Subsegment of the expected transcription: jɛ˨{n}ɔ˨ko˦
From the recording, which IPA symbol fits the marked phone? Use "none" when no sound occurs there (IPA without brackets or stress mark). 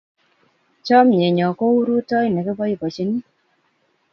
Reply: ɲ